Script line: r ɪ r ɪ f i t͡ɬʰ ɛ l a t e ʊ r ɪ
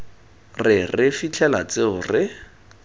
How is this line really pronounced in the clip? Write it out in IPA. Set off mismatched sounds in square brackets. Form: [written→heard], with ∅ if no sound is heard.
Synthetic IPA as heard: r ɪ r ɪ f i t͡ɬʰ ɛ l a [t→t͡s] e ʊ r ɪ